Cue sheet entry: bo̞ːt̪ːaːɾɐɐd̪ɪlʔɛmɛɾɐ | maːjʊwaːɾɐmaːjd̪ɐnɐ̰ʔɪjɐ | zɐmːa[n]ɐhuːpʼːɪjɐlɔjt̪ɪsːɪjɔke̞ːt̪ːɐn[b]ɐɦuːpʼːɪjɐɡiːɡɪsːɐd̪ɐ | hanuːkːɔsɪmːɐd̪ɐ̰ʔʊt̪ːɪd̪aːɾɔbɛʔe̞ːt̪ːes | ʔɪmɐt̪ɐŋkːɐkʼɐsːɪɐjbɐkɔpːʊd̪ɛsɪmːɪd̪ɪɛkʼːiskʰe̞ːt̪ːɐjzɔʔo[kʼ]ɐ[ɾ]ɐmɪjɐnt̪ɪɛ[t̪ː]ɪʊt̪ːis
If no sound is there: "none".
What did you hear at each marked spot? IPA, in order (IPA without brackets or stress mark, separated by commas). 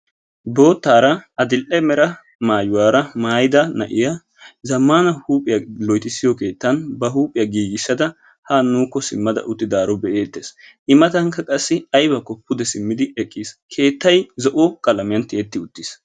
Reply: n, b, kʼ, l, t̪ː